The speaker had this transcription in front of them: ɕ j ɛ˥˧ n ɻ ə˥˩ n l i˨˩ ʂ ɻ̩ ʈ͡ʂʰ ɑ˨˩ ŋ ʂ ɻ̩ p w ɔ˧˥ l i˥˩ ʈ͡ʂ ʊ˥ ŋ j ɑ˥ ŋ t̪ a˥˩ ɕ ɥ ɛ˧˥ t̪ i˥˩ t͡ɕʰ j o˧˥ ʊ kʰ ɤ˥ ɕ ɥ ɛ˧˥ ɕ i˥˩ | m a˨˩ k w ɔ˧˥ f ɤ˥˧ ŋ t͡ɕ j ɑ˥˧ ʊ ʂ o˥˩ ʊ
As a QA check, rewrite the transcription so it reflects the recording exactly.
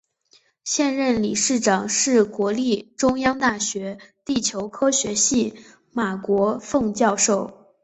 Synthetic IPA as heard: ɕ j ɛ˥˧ n ɻ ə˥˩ n l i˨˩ ʂ ɻ̩ ʈ͡ʂ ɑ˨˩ ŋ ʂ ɻ̩ k w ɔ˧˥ l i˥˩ ʈ͡ʂ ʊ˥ ŋ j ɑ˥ ŋ t̪ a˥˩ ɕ ɥ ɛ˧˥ t̪ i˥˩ t͡ɕʰ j o˧˥ ʊ kʰ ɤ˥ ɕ ɥ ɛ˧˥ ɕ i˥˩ | m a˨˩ k w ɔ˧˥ f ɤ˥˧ ŋ t͡ɕ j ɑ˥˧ ʊ ʂ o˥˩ ʊ

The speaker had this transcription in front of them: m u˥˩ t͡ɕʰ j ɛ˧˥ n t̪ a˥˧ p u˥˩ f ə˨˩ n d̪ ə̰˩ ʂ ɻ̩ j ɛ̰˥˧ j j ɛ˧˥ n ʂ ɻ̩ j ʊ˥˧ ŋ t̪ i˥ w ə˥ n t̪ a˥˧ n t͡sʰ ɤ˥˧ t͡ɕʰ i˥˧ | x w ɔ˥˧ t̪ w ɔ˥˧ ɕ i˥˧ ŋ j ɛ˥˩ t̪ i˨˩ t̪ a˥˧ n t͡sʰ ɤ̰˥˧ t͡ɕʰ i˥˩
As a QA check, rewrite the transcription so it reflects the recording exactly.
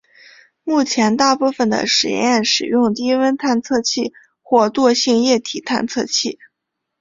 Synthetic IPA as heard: m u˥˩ t͡ɕʰ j ɛ˧˥ n t̪ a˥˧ p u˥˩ f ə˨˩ n d̪ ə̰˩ ʂ ɻ̩ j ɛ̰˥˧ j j ɛ˥˩ n ʂ ɻ̩ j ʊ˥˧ ŋ t̪ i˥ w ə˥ n t̪ʰ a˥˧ n t͡sʰ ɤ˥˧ t͡ɕʰ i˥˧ | x w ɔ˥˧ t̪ w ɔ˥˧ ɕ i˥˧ ŋ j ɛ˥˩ t̪ʰ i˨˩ t̪ʰ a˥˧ n t͡sʰ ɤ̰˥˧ t͡ɕʰ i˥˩

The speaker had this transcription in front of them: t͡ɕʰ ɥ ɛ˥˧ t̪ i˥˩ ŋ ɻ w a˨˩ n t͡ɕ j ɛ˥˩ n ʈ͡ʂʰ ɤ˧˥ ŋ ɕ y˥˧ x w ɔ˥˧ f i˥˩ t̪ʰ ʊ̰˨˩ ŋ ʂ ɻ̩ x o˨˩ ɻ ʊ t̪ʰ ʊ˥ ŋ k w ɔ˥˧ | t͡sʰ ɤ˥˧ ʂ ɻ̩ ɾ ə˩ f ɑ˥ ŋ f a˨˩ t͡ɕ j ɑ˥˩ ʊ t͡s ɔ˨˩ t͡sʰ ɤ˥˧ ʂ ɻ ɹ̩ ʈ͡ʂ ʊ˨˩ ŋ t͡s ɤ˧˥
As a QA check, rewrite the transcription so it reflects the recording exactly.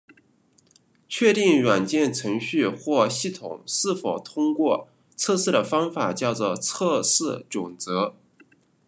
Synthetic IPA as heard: t͡ɕʰ ɥ ɛ˥˧ t̪ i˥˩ ŋ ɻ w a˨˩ n t͡ɕ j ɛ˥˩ n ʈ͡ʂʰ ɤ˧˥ ŋ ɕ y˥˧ x w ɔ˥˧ ɕ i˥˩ t̪ʰ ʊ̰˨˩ ŋ ʂ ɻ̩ f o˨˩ ʊ t̪ʰ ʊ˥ ŋ k w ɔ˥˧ | t͡sʰ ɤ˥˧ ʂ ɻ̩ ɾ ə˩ f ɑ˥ ŋ f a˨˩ t͡ɕ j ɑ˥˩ ʊ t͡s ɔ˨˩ t͡sʰ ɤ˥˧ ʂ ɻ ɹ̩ ʈ͡ʂ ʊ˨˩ ŋ t͡s ɤ˧˥

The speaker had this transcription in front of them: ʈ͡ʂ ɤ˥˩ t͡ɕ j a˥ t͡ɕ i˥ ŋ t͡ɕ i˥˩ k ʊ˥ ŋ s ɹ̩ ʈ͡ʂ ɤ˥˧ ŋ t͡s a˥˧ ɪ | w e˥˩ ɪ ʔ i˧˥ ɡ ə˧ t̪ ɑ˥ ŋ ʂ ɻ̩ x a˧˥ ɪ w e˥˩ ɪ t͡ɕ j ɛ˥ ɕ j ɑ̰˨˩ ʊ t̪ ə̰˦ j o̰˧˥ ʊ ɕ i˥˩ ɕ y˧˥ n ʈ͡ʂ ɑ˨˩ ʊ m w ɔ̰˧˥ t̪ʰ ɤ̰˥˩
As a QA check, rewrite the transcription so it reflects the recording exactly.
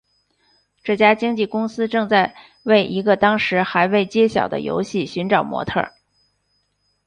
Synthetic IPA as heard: ʈ͡ʂ ɤ˥˩ t͡ɕ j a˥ t͡ɕ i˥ ŋ t͡ɕ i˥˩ k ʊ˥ ŋ s ɹ̩ ʈ͡ʂ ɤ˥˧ ŋ t͡s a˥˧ ɪ | w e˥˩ ɪ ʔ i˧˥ ɡ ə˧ t̪ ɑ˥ ŋ ʂ ɻ̩ x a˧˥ ɪ w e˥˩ ɪ t͡ɕ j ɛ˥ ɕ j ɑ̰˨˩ ʊ d̪ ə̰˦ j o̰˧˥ ʊ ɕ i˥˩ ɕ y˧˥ n ʈ͡ʂ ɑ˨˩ ʊ m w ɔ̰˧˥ t̪ʰ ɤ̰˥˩

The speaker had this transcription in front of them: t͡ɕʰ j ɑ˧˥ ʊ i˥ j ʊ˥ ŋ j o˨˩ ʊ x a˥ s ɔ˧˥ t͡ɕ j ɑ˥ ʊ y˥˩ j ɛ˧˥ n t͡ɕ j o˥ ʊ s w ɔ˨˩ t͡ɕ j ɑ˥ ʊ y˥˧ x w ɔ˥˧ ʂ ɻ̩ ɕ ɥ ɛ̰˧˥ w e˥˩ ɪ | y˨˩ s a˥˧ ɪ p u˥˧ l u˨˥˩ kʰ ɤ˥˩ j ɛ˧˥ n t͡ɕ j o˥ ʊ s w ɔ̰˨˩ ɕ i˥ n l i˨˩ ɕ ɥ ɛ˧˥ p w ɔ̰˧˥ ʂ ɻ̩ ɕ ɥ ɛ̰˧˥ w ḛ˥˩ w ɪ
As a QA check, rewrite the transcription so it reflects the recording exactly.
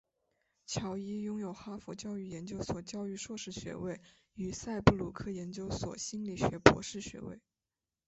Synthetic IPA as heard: t͡ɕʰ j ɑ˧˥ ʊ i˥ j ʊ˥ ŋ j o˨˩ ʊ x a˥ f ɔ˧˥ t͡ɕ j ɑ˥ ʊ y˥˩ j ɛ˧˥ n t͡ɕ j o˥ ʊ s w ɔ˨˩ t͡ɕ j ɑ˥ ʊ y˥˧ ʂ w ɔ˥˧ ʂ ɻ̩ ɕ ɥ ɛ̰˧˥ w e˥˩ ɪ | y˨˩ s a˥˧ ɪ p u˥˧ l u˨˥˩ kʰ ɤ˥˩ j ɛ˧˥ n t͡ɕ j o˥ ʊ s w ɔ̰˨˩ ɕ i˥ n l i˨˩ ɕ ɥ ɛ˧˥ p w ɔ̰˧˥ ʂ ɻ̩ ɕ ɥ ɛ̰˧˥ w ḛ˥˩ ɪ

